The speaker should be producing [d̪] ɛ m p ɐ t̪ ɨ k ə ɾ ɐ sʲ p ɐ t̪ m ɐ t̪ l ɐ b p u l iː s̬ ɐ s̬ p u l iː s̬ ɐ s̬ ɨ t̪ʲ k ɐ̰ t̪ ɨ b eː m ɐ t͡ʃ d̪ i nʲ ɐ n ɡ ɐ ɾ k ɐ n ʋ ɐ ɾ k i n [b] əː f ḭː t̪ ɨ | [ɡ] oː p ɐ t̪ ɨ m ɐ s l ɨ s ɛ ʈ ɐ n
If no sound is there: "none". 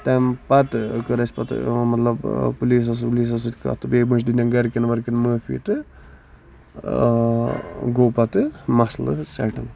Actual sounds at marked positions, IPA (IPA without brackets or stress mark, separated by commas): t̪, m, ɡ